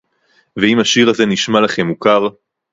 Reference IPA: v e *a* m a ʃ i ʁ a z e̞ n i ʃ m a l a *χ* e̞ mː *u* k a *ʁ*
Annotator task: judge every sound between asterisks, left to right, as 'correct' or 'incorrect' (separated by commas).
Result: incorrect, correct, correct, correct